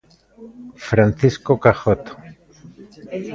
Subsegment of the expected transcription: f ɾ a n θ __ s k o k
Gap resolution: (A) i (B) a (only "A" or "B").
A